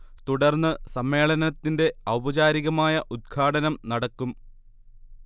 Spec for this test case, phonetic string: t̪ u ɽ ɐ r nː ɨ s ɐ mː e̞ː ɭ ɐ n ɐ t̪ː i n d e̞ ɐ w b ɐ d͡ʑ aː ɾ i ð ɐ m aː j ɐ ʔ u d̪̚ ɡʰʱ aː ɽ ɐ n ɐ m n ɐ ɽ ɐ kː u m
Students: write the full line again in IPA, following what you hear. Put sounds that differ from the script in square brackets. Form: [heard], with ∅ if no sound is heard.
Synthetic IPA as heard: t̪ u ɽ ɐ r nː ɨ s ɐ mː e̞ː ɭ ɐ n ɐ t̪ː i n d e̞ ɐ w b ɐ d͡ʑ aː ɾ i [ɣ] ɐ m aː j ɐ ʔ u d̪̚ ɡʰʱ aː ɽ ɐ n ɐ m n ɐ ɽ ɐ kː u m